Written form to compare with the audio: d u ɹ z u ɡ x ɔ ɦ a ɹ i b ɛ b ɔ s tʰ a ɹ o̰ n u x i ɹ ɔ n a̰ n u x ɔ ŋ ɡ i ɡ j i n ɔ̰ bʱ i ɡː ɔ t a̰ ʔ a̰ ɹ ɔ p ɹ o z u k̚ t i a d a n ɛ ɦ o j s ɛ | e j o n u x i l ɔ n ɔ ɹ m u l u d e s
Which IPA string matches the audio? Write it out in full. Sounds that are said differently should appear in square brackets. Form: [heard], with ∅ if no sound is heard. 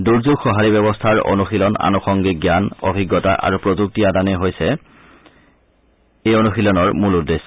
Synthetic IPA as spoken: d u ɹ z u ɡ x ɔ ɦ a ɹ i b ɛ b ɔ s tʰ a ɹ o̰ n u x i [l] ɔ n a̰ n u x ɔ ŋ ɡ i ɡ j [a] n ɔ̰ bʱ i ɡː ɔ t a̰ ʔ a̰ ɹ [u] p ɹ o z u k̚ t i a d a n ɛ ɦ o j s ɛ | e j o n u x i l ɔ n ɔ ɹ m u l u d e s